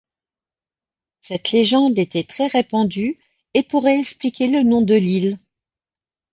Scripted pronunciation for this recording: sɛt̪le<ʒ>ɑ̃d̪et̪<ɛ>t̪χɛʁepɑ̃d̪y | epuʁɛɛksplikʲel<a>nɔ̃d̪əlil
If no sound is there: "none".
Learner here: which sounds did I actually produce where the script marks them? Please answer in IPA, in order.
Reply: ʒ, ɛ, ə

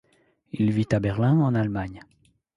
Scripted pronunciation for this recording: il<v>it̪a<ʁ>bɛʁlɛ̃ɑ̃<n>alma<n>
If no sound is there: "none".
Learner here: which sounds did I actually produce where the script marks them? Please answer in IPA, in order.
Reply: v, none, n, ɲ

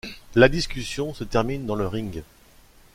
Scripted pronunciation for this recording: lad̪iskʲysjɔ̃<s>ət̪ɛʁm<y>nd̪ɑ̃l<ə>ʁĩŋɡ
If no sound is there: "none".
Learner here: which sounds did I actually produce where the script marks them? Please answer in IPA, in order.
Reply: s, i, ə

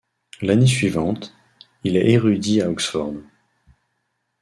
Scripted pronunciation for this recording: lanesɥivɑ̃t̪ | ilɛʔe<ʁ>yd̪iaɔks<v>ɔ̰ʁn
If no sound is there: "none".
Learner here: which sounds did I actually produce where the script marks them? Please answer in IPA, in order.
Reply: ʁ, f

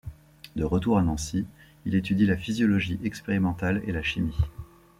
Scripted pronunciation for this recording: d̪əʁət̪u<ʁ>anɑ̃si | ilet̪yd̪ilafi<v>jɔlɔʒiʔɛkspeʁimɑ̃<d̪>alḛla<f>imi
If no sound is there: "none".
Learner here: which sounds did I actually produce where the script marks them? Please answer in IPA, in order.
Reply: ʁ, z, t̪, ʃ

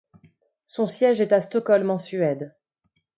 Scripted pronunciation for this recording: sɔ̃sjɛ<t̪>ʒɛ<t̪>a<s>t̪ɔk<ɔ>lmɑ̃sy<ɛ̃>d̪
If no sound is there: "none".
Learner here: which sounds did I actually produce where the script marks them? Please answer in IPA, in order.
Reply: none, t̪, s, ɔ, ɛ

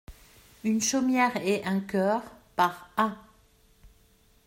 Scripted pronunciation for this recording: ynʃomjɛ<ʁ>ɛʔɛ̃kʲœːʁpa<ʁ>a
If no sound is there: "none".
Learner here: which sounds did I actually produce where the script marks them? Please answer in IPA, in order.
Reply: ʁ, ʁ

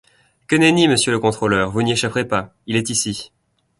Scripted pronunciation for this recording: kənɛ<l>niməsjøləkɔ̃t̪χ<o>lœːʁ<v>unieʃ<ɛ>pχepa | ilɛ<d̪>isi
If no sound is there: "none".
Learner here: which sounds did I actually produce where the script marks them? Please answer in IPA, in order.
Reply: none, o, v, a, t̪

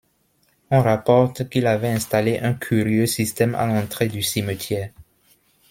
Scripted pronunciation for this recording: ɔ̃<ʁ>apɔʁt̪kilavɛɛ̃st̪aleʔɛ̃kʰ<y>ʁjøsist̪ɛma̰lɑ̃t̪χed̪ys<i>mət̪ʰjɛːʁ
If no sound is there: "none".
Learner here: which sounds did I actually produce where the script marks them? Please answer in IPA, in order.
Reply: ʁ, y, i

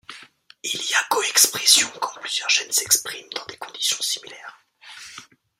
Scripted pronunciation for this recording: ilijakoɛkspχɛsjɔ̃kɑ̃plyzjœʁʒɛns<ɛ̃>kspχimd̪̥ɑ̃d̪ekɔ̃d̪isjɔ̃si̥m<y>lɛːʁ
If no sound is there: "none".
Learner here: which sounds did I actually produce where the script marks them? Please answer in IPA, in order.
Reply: ɛ, i

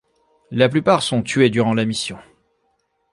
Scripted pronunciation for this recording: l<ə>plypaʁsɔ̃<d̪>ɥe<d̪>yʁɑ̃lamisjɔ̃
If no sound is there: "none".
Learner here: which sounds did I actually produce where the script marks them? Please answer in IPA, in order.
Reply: a, t̪, d̪

